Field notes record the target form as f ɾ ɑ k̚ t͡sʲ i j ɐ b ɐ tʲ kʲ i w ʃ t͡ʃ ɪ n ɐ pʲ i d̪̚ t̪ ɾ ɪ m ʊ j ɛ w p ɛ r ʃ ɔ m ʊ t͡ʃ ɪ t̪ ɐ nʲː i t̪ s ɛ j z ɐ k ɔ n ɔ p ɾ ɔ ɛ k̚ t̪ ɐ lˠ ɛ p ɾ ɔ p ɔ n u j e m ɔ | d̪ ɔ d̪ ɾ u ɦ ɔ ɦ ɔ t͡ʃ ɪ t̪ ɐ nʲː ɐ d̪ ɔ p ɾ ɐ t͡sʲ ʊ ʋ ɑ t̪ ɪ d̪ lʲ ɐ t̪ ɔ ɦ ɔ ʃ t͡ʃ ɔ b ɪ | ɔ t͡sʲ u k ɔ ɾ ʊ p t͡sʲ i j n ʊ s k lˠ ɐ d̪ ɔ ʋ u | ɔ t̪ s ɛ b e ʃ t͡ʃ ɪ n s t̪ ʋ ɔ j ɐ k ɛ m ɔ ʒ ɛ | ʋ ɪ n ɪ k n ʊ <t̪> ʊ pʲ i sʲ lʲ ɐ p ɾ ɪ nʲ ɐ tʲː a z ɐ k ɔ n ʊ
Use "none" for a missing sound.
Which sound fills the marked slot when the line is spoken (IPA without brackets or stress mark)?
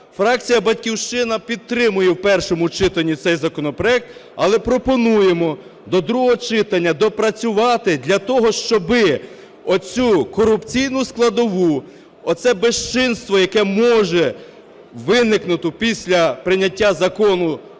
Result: t̪